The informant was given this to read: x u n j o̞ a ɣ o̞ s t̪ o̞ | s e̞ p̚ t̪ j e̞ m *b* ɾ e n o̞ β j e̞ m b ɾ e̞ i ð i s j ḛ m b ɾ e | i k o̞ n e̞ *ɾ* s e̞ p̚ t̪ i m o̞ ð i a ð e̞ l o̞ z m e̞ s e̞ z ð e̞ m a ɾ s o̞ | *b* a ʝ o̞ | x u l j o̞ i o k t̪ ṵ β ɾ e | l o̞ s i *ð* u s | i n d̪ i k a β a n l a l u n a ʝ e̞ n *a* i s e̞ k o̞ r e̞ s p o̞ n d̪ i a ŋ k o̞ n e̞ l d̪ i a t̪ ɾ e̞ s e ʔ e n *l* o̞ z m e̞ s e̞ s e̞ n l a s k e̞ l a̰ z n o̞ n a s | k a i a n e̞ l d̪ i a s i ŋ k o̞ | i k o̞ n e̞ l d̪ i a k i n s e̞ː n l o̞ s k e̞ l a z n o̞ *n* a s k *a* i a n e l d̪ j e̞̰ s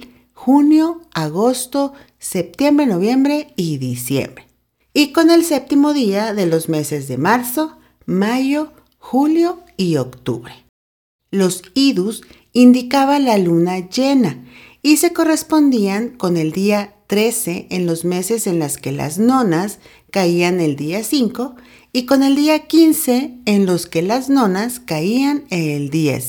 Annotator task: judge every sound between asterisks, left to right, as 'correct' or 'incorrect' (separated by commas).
correct, incorrect, incorrect, correct, correct, correct, correct, correct